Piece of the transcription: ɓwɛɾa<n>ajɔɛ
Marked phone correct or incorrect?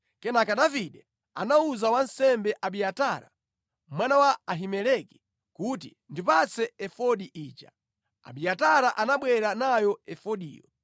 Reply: correct